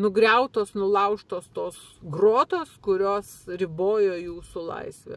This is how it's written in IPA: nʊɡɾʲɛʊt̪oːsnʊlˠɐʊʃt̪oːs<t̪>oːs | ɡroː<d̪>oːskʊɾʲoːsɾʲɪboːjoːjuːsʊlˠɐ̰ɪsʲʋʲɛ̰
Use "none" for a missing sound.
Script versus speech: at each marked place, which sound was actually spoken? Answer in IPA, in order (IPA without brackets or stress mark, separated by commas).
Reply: t̪, t̪